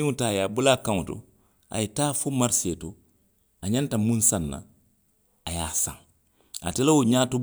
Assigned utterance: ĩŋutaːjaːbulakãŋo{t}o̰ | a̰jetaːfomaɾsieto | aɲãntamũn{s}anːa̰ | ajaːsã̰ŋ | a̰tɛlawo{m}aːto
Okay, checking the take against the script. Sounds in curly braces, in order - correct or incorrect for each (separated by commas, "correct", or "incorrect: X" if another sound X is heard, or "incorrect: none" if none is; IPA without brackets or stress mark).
correct, correct, incorrect: ɲ